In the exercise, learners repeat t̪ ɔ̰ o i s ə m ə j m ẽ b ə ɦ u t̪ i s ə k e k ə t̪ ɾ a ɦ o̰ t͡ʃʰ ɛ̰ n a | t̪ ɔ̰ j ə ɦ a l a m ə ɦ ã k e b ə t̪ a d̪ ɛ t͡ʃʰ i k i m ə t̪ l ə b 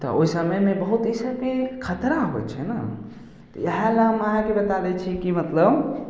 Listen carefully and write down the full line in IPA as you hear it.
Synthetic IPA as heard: t̪ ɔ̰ o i s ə m ə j m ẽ b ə ɦ u t̪ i s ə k e kʰ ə t̪ ɾ a ɦ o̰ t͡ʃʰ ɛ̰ n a | t̪ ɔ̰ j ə ɦ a l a m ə ɦ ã k e b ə t̪ a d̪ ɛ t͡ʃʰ i k i m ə t̪ l ə b